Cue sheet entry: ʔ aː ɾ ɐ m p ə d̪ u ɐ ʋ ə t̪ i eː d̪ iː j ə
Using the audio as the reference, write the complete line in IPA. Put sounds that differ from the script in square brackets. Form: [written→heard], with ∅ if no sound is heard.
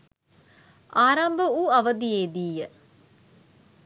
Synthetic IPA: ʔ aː ɾ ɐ m [p→b] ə [d̪→∅] u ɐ ʋ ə [t̪→d̪] i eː d̪ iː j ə